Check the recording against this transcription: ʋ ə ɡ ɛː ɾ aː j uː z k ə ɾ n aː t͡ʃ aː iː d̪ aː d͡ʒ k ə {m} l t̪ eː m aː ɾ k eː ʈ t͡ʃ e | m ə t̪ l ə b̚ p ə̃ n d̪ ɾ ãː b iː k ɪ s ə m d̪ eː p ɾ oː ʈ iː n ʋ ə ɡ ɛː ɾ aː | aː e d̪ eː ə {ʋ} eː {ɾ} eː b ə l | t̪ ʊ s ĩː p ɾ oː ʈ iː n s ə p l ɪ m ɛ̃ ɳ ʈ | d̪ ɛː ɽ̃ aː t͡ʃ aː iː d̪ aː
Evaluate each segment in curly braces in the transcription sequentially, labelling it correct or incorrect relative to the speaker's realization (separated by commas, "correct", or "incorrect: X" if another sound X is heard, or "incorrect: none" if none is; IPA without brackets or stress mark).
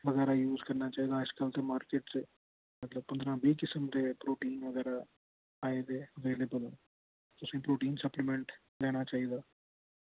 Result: incorrect: none, correct, incorrect: l